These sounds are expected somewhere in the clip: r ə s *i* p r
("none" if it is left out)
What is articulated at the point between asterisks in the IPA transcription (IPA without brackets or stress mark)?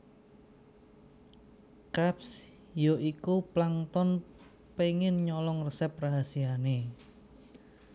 ɛ